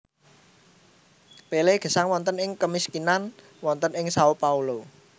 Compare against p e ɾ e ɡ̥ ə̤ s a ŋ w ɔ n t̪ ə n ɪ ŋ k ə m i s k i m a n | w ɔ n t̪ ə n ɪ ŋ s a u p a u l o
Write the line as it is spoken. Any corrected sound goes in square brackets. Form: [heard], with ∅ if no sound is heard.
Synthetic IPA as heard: p e [l] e ɡ̥ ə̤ s a ŋ w ɔ n t̪ ə n ɪ ŋ k ə m i s k i [n] a n | w ɔ n t̪ ə n ɪ ŋ s a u p a u l o